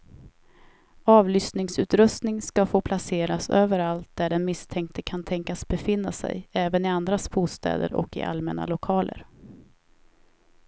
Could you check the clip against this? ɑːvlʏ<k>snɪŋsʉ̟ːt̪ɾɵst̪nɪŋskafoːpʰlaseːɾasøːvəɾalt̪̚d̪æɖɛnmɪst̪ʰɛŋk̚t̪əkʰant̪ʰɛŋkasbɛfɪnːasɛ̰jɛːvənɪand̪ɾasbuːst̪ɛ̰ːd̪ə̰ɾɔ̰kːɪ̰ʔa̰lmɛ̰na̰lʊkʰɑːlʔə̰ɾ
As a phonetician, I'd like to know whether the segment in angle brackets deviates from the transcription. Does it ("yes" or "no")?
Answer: yes